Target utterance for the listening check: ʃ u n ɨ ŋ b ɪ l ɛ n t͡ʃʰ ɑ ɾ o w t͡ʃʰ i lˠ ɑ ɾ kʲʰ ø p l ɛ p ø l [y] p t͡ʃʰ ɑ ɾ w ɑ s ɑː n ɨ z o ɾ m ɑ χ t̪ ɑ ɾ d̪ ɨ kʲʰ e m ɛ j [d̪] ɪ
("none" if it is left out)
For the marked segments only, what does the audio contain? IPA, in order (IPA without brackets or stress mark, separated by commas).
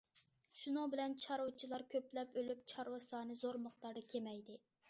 y, d̪